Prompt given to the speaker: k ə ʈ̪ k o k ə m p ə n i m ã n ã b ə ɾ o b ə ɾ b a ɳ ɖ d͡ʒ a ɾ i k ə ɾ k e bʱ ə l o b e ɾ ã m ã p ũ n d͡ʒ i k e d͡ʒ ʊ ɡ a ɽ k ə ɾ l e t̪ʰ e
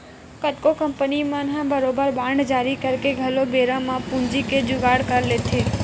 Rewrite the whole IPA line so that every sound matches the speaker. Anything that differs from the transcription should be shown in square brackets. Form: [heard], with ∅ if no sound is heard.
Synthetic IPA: k ə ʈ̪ k o k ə m p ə n i m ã n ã b ə ɾ o b ə ɾ b a ɳ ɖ d͡ʒ a ɾ i k ə ɾ k e [ɡʱ] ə l o b e ɾ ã m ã p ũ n d͡ʒ i k e d͡ʒ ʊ ɡ a ɽ k ə ɾ l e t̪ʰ e